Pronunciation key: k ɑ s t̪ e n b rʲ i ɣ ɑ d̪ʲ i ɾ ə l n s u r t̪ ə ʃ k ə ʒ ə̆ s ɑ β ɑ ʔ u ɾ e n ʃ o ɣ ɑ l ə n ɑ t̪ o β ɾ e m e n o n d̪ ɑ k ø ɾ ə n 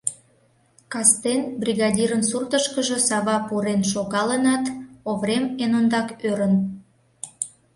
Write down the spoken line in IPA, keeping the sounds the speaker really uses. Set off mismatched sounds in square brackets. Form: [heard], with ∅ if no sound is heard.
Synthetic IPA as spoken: k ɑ s t̪ e n b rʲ i ɣ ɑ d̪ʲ i ɾ ə [∅] n s u r t̪ ə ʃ k ə ʒ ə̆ s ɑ β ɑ [p] u ɾ e n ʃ o ɣ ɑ l ə n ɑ t̪ o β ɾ e m e n o n d̪ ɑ k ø ɾ ə n